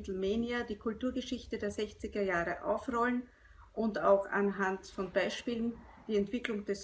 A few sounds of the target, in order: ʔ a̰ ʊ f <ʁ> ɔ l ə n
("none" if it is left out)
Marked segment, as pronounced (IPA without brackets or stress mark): ʁ